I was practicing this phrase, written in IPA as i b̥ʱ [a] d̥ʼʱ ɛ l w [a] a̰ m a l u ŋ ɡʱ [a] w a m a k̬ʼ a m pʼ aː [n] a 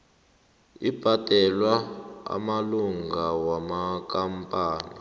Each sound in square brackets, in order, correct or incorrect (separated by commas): correct, correct, correct, correct